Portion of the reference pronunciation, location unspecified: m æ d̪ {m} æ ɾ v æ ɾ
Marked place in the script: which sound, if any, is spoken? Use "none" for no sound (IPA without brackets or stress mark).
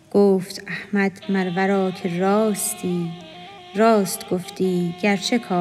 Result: m